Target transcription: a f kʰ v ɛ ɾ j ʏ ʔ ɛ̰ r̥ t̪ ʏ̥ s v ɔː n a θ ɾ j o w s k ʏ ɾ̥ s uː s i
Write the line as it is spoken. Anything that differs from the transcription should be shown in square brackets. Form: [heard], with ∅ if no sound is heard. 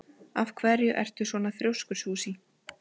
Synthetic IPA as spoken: a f kʰ v ɛ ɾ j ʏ ʔ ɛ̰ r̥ t̪ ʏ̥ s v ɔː n a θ ɾ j o w s k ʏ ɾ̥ s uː s i